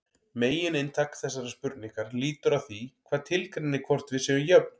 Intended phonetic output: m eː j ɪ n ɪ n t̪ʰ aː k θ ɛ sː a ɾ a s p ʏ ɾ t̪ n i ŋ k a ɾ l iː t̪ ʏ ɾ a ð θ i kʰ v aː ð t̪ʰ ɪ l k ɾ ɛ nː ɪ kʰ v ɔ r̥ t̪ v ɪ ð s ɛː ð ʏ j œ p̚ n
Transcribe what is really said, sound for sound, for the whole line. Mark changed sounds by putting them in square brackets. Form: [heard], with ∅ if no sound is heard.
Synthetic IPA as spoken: m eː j ɪ n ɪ n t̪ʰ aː k θ ɛ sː a ɾ a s p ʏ ɾ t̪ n i ŋ k a ɾ l iː t̪ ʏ ɾ a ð θ i kʰ v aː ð t̪ʰ ɪ l k ɾ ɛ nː ɪ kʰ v ɔ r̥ t̪ v ɪ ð s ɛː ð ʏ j œ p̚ n